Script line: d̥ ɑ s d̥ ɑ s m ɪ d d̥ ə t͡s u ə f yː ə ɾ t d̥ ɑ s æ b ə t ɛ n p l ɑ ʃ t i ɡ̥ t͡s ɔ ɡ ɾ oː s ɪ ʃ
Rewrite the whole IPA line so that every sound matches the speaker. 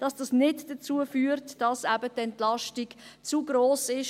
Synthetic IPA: d̥ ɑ s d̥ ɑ s n ɪ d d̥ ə t͡s u ə f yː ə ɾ t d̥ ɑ s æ b ə t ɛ n t l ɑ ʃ t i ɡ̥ t͡s u ɡ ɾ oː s ɪ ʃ